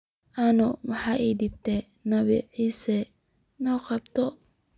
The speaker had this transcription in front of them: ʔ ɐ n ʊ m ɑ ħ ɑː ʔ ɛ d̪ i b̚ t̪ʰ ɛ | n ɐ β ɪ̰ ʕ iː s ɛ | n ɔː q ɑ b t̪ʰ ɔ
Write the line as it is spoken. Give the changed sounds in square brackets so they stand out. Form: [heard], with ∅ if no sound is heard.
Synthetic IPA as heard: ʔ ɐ n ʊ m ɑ ħ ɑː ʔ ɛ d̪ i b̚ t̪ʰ ɛ | n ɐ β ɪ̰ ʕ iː s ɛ | n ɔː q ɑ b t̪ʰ ɔ